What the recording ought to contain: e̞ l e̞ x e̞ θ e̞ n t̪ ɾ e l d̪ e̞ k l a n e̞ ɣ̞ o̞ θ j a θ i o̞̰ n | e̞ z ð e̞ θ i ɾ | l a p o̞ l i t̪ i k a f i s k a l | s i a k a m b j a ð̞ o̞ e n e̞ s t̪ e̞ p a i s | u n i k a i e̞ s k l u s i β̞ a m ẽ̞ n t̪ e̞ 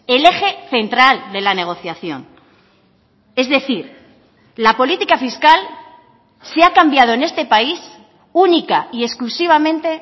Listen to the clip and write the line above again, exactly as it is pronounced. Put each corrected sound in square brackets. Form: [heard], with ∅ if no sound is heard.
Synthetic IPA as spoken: e̞ l e̞ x e̞ θ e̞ n t̪ ɾ [a] l d̪ e̞ [∅] l a n e̞ ɣ̞ o̞ θ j a θ [j] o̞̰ n | e̞ z ð e̞ θ i ɾ | l a p o̞ l i t̪ i k a f i s k a l | s [e] a k a m b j a ð̞ o̞ e n e̞ s t̪ e̞ p a i s | u n i k a i e̞ s k l u s i β̞ a m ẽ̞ n t̪ e̞